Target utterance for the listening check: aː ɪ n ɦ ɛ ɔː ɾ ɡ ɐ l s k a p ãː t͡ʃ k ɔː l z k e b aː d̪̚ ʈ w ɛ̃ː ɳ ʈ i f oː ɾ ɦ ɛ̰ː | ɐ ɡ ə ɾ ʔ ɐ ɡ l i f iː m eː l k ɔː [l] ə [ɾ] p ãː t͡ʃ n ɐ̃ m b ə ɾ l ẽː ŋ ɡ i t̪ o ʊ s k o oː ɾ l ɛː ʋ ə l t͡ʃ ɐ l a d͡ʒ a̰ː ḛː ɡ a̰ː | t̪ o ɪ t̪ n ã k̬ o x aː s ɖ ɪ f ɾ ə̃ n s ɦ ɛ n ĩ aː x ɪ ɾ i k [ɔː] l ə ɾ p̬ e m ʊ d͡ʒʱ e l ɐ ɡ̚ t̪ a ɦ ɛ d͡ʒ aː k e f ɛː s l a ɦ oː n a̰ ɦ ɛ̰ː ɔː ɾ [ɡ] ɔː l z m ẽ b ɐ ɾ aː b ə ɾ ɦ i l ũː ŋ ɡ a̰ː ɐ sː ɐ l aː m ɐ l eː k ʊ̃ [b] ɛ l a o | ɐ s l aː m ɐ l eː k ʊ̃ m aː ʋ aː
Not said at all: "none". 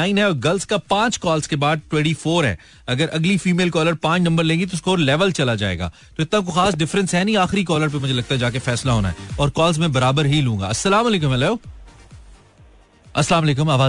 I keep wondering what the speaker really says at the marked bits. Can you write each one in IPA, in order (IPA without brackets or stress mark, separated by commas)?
l, ɾ, ɔː, k, m